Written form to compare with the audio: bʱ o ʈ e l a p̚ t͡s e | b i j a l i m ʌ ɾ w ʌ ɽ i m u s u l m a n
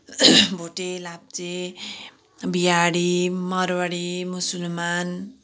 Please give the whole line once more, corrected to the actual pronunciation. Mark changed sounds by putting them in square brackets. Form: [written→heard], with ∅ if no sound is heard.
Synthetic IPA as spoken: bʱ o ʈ e l a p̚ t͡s e | b i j a [l→ɽ] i m ʌ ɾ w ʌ ɽ i m u s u l m a n